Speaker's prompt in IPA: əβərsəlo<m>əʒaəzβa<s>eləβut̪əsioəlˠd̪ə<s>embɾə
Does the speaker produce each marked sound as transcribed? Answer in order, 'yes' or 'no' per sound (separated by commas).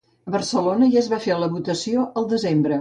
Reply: no, no, no